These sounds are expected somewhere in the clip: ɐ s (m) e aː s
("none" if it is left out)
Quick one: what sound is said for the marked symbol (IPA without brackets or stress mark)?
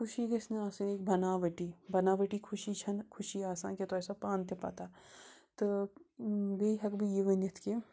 n